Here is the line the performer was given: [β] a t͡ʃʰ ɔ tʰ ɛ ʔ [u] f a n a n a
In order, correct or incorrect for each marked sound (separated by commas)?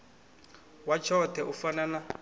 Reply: incorrect, correct